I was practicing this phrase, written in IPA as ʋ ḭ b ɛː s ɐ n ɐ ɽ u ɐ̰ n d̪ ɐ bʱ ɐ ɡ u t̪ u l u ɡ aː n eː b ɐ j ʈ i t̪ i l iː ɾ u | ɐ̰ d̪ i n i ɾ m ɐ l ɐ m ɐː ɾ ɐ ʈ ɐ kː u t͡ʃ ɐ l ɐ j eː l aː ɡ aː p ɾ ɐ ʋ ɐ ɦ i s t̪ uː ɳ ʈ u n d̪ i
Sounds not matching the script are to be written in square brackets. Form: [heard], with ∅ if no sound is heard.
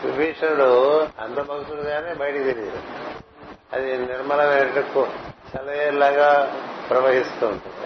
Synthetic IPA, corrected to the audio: ʋ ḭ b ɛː [ʂ] ɐ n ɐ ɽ u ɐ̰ n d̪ ɐ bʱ ɐ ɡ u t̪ u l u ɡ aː n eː b ɐ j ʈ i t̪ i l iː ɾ u | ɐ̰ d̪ i n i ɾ m ɐ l ɐ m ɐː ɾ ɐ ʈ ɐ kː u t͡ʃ ɐ l ɐ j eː l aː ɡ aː p ɾ ɐ ʋ ɐ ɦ i s t̪ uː ɳ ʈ u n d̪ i